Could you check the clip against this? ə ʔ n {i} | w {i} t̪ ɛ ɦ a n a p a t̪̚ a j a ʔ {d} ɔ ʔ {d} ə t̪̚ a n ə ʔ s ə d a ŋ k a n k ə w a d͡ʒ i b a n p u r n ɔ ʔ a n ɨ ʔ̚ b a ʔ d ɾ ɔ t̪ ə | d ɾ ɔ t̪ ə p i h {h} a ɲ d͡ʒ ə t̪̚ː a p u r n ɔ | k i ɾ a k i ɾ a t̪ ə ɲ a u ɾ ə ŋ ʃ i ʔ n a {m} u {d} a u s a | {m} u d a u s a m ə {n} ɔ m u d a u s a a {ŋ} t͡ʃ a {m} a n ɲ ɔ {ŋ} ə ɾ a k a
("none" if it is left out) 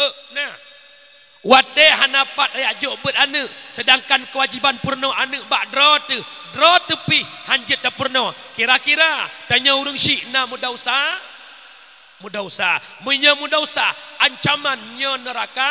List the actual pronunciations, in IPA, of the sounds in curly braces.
a, a, d͡ʒ, b, h, m, d, m, ɲ, ɲ, m, n

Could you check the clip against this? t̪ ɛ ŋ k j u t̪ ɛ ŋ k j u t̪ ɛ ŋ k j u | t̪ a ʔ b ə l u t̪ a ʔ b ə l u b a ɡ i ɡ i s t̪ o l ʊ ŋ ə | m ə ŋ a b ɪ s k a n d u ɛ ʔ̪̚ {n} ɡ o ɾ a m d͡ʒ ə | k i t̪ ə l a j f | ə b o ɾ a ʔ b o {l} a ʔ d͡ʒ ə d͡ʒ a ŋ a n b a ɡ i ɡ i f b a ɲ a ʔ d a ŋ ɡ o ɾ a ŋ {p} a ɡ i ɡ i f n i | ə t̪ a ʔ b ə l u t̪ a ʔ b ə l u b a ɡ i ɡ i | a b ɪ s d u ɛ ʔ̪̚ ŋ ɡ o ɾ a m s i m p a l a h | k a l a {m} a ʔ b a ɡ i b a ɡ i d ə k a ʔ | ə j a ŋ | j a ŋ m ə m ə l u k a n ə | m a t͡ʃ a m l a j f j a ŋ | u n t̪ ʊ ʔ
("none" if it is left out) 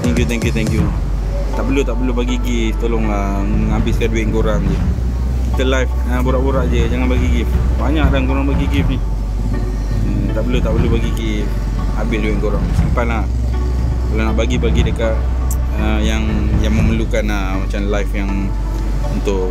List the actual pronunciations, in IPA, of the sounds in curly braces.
ŋ, ɾ, b, n

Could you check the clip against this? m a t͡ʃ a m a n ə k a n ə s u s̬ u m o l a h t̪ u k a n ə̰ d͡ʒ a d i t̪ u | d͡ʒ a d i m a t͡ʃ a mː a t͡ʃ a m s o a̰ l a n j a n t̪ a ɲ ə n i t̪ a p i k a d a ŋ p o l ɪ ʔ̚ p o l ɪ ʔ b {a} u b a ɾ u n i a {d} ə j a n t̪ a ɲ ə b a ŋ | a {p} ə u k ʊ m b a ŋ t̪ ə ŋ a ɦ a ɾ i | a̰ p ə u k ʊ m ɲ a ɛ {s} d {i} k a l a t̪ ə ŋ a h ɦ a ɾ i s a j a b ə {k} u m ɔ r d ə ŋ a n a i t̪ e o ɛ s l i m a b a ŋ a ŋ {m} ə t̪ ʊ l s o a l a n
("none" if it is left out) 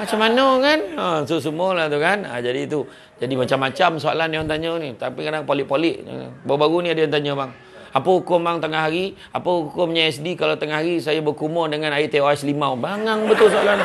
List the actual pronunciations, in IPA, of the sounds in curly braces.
a, d, p, s, i, k, b

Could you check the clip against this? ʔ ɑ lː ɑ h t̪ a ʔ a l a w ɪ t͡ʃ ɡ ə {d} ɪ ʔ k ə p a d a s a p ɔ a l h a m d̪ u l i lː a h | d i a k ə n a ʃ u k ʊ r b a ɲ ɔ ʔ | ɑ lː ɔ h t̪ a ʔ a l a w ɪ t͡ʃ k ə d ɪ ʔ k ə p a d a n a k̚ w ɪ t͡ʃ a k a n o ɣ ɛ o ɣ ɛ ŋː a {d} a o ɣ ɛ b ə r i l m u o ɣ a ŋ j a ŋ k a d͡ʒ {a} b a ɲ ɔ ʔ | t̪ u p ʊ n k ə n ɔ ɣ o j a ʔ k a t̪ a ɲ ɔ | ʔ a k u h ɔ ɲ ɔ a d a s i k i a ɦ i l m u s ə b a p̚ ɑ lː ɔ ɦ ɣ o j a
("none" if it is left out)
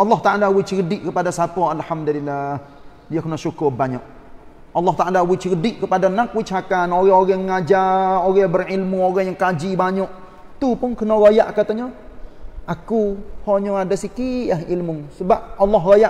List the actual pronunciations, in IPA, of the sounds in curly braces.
d, d͡ʒ, i

